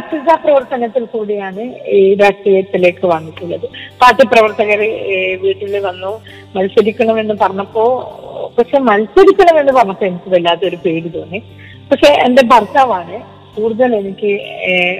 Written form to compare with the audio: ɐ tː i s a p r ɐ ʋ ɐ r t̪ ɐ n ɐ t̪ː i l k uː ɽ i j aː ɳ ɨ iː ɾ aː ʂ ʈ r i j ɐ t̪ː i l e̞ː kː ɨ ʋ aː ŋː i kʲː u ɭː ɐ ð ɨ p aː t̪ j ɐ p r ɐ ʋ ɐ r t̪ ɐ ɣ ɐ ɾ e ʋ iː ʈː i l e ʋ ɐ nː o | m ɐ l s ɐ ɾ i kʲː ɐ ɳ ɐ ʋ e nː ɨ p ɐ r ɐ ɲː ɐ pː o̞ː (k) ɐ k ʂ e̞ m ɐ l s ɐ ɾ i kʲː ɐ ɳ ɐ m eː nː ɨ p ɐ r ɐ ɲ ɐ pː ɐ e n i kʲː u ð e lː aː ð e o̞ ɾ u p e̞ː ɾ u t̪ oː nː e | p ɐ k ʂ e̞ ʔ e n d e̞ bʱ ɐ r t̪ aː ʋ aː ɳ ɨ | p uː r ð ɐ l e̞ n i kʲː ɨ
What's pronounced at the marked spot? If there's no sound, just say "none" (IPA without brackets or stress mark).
p